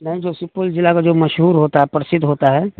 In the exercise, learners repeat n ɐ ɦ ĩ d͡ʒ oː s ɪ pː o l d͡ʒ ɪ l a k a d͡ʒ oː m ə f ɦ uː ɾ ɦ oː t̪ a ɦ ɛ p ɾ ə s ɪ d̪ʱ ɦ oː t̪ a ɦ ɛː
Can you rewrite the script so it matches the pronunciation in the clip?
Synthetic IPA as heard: n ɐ ɦ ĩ d͡ʒ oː s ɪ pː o l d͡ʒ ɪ l a k a d͡ʒ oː m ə ʃ ɦ uː ɾ ɦ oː t̪ a ɦ ɛ p ɾ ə s ɪ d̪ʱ ɦ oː t̪ a ɦ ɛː